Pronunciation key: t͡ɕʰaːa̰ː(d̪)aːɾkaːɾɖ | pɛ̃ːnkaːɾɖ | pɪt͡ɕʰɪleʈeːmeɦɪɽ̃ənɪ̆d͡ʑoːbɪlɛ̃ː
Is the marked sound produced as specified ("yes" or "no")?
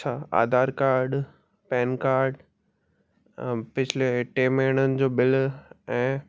yes